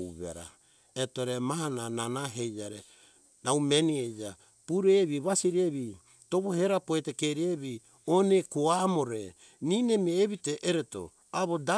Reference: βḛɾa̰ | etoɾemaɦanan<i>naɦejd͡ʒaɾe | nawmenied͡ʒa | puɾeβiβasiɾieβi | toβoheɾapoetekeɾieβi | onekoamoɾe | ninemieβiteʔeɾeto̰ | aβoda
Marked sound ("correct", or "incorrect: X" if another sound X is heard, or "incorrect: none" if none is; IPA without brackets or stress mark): incorrect: a